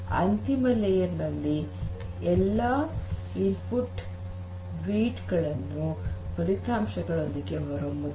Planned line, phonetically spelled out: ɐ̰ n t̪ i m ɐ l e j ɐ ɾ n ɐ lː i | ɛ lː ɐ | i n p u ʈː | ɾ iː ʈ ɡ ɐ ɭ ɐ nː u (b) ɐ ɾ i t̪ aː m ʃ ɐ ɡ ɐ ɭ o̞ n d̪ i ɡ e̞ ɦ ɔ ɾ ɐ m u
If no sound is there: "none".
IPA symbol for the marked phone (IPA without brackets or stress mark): p